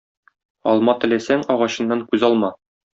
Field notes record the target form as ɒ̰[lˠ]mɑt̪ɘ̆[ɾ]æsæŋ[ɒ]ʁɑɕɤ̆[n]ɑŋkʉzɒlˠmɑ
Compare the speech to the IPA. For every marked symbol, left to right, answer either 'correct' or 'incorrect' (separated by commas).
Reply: correct, incorrect, correct, incorrect